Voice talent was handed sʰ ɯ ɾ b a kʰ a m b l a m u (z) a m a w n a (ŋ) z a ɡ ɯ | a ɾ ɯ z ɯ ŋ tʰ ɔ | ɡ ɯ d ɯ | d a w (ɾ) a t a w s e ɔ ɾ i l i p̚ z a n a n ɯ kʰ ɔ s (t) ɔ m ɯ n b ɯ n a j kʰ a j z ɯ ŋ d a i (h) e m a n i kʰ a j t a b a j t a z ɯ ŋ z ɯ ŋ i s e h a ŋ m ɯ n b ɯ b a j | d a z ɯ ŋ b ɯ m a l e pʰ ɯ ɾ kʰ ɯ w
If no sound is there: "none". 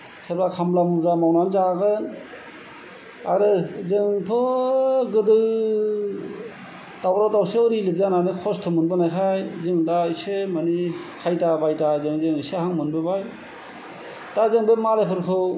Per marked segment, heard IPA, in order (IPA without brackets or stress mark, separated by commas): z, n, ɾ, tʰ, s